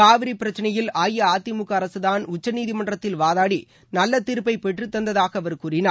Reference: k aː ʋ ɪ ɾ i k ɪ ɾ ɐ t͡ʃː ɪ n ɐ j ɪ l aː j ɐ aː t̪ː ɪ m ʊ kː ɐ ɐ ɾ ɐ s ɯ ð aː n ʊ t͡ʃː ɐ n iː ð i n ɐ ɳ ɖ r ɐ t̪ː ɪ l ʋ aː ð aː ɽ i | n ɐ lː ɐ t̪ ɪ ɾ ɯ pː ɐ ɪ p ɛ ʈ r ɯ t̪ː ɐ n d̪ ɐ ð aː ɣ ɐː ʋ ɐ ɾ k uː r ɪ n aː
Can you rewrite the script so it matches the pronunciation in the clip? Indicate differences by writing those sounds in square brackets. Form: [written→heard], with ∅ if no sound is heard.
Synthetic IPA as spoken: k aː ʋ ɪ ɾ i [k→p] ɪ ɾ ɐ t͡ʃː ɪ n ɐ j ɪ l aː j ɐ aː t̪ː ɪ m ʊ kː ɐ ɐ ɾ ɐ s ɯ ð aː n ʊ t͡ʃː ɐ n iː ð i [n→m] ɐ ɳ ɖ r ɐ t̪ː ɪ l ʋ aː ð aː ɽ i | n ɐ lː ɐ t̪ ɪ ɾ ɯ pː ɐ ɪ p ɛ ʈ r ɯ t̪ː ɐ n d̪ ɐ ð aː ɣ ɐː ʋ ɐ ɾ k uː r ɪ n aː